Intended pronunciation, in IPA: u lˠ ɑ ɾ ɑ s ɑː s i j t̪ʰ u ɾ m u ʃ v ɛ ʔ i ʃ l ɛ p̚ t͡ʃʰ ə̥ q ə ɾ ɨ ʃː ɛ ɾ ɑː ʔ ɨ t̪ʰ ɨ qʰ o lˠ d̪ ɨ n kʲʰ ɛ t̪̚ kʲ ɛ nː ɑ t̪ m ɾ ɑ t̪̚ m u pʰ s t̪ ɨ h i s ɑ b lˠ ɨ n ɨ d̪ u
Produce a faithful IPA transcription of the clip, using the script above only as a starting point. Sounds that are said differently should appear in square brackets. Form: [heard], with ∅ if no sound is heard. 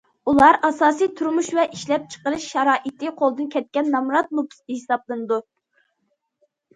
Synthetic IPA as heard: u lˠ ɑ ɾ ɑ s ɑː s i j t̪ʰ u ɾ m u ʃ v ɛ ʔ i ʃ l ɛ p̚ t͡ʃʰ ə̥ q ə ɾ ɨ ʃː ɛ ɾ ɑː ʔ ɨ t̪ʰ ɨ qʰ o lˠ d̪ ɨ n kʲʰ ɛ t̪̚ kʲ ɛ nː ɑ [∅] m ɾ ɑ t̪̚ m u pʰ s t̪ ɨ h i s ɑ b lˠ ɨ n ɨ d̪ u